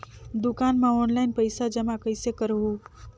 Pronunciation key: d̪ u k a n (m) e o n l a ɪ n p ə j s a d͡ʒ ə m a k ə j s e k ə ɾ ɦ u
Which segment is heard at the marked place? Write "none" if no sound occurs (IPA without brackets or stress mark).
m